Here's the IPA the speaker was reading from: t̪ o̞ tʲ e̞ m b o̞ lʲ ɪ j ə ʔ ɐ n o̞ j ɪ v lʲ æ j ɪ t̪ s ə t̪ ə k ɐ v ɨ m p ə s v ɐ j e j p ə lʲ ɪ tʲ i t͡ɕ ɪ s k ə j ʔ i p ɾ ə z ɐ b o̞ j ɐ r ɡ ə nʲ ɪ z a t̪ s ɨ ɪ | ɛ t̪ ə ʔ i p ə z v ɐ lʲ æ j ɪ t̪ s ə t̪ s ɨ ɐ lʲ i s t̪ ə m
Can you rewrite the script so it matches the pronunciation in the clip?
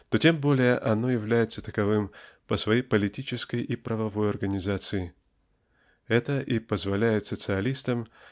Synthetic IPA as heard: t̪ o̞ tʲ e̞ m b o̞ lʲ ɪ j ə ʔ ɐ n o̞ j ɪ v lʲ æ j ɪ t̪ s ə t̪ ə k ɐ v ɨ m p ə s v ɐ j e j p ə lʲ ɪ tʲ i t͡ɕ ɪ s k ə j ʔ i p ɾ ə v ɐ v o̞ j ɐ r ɡ ə nʲ ɪ z a t̪ s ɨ ɪ | ɛ t̪ ə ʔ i p ə z v ɐ lʲ æ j ɪ t̪ s ə t̪ s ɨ ɐ lʲ i s t̪ ə m